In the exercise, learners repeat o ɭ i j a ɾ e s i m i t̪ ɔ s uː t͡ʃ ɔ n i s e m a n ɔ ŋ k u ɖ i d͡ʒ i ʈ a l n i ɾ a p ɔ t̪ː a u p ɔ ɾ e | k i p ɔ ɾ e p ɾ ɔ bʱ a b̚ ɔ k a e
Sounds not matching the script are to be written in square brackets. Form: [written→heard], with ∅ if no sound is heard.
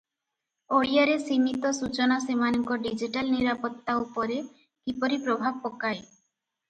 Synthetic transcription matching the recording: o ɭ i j a ɾ e s i m i t̪ ɔ s [uː→u] t͡ʃ ɔ n [i→a] s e m a n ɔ ŋ k [u→ɔ] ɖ i d͡ʒ i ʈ a l n i ɾ a p ɔ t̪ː a u p ɔ ɾ e | k i p ɔ ɾ [e→i] p ɾ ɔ bʱ a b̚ ɔ k a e